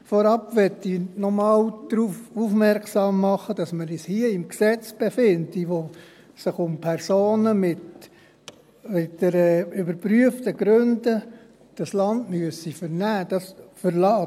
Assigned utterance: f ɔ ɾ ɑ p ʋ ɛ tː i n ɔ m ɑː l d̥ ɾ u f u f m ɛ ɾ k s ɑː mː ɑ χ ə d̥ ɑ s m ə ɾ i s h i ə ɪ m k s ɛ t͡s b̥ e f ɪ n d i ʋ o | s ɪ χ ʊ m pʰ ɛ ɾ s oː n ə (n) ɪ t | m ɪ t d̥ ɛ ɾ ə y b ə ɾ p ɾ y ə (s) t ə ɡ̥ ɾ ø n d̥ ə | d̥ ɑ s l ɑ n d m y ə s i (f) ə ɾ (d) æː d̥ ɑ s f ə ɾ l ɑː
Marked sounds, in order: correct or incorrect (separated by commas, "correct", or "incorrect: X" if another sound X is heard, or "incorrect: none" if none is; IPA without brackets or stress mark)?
incorrect: m, incorrect: f, correct, incorrect: n